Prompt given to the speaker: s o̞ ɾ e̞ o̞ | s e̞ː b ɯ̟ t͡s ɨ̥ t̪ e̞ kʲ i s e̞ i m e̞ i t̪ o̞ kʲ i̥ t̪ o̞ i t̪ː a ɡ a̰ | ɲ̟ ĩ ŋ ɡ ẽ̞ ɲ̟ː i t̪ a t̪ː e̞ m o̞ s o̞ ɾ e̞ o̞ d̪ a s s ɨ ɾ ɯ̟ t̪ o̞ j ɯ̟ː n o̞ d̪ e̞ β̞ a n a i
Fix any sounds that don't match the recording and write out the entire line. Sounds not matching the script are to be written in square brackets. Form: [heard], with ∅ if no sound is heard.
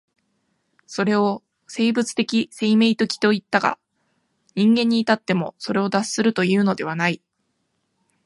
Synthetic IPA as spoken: s o̞ ɾ e̞ o̞ | s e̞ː b ɯ̟ t͡s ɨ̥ t̪ e̞ kʲ i s e̞ i m e̞ i t̪ o̞ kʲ i̥ t̪ o̞ i t̪ː a ɡ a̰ | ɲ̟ ĩ ŋ ɡ ẽ̞ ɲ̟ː [iː] t̪ a t̪ː e̞ m o̞ s o̞ ɾ e̞ o̞ d̪ a s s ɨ ɾ ɯ̟ t̪ o̞ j ɯ̟ː n o̞ d̪ e̞ β̞ a n a i

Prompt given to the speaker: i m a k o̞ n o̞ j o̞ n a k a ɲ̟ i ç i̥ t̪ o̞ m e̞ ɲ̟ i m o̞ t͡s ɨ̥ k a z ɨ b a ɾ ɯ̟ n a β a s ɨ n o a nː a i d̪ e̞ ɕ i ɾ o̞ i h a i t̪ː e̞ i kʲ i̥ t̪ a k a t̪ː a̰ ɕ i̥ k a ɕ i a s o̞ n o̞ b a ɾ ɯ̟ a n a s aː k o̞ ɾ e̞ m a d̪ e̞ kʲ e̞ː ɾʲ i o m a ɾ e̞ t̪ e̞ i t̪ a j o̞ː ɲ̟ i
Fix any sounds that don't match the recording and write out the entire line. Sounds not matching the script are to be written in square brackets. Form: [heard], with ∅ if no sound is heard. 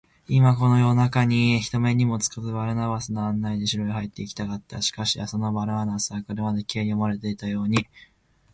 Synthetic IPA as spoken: i m a k o̞ n o̞ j o̞ n a k a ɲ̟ i ç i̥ t̪ o̞ m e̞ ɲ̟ i m o̞ t͡s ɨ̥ k a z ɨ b a ɾ ɯ̟ n a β a s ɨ n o a nː a i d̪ e̞ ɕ i ɾ o̞ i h a i t̪ː e̞ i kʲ i̥ t̪ a k a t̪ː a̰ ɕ i̥ k a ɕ i a s o̞ n o̞ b a ɾ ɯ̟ a n a s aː k o̞ ɾ e̞ m a d̪ e̞ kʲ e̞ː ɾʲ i o m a ɾ e̞ t̪ e̞ i t̪ a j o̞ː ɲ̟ i

